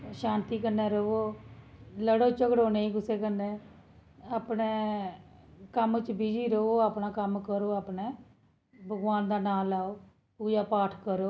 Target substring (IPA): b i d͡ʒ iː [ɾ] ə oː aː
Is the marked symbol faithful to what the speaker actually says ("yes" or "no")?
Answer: yes